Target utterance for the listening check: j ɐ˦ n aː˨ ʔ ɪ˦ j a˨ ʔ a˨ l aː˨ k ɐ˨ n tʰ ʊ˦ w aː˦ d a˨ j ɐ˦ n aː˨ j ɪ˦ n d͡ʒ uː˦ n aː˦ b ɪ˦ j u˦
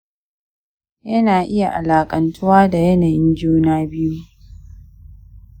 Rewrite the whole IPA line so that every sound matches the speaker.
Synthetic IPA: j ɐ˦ n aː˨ ʔ ɪ˦ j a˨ ʔ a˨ l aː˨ kʼ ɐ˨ n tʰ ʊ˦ w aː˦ d a˨ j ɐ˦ n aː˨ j ɪ˦ n d͡ʒ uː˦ n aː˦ b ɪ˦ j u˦